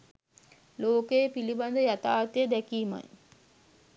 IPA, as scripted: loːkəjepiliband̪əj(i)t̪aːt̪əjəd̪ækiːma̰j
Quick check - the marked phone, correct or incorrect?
incorrect: a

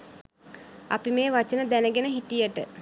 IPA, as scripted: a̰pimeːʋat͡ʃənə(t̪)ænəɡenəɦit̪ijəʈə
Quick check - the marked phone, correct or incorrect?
incorrect: d̪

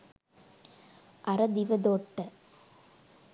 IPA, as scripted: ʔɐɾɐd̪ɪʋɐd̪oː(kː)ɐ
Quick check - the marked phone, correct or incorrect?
incorrect: ʈː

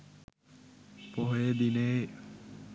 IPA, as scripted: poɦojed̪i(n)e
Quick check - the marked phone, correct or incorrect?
correct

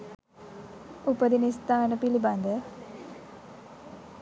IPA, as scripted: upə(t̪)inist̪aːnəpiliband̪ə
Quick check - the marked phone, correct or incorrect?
incorrect: d̪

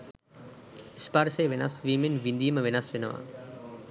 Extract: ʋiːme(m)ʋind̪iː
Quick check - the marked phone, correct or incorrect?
incorrect: n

